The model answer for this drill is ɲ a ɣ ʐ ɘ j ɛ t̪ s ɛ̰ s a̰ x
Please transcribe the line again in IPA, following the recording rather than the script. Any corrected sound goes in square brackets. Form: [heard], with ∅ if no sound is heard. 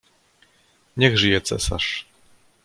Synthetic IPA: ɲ [ɛ] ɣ ʐ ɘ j ɛ t̪ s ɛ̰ s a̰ [ʂ]